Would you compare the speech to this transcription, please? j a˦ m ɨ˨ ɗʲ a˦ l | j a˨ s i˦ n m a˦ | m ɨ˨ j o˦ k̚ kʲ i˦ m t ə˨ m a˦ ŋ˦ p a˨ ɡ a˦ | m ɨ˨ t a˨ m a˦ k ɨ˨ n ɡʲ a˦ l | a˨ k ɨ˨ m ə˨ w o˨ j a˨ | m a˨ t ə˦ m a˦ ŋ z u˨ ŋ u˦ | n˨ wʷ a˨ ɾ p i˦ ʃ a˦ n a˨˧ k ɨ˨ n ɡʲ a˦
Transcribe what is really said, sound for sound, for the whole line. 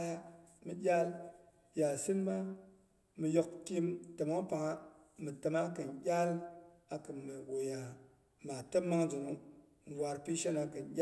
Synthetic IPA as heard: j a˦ m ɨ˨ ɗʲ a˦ l | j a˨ s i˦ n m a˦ | m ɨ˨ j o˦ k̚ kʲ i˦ m t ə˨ m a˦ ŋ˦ p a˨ ŋ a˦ | m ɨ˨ t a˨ m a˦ k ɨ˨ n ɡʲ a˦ l | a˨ k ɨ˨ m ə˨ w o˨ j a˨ | m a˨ t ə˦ m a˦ ŋ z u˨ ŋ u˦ | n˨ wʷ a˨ ɾ p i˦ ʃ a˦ n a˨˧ k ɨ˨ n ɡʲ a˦